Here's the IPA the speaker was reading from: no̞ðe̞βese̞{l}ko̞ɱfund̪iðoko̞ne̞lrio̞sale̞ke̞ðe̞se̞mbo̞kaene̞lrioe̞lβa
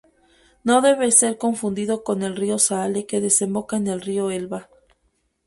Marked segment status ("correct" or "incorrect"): incorrect